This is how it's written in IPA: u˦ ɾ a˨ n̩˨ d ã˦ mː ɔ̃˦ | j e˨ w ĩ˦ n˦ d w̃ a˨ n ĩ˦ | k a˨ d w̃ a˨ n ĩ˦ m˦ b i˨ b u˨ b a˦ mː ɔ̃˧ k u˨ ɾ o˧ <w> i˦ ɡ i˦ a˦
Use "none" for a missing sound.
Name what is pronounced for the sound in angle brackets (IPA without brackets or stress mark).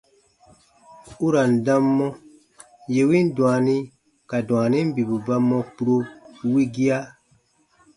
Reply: w